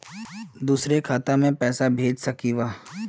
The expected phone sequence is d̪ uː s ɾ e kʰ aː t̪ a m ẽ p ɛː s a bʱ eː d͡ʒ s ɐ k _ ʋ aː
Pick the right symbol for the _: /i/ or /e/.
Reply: i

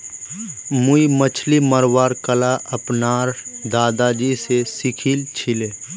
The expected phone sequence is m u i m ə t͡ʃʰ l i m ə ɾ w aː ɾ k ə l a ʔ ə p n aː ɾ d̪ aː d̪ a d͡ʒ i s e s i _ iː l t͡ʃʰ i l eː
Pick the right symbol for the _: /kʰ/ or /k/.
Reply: kʰ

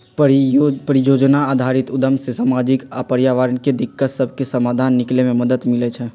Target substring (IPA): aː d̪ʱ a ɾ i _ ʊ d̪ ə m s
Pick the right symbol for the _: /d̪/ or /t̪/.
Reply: t̪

